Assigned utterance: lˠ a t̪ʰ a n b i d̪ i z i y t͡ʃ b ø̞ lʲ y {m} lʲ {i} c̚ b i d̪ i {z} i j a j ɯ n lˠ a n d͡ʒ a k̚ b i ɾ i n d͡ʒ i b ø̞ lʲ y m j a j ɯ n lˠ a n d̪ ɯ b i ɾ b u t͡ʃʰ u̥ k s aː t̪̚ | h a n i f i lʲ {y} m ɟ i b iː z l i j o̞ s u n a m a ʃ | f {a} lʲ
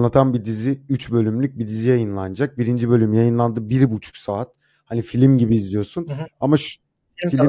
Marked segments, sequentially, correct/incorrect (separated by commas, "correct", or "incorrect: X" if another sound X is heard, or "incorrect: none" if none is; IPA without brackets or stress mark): correct, incorrect: y, correct, incorrect: i, incorrect: i